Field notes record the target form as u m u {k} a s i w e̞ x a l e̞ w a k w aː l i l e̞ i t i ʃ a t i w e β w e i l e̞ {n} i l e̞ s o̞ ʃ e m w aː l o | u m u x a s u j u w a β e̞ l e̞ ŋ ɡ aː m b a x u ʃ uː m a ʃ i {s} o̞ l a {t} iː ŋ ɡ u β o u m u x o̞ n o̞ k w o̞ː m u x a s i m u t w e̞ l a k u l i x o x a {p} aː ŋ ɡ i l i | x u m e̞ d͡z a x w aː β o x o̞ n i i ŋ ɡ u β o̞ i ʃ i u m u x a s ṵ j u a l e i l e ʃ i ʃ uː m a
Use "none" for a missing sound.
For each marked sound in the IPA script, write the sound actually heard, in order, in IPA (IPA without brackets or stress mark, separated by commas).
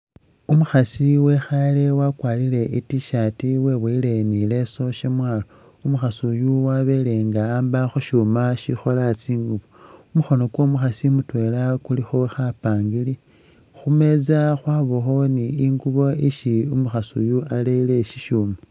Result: x, n, x, t͡s, p